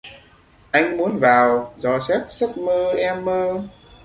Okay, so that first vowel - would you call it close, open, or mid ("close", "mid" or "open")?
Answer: open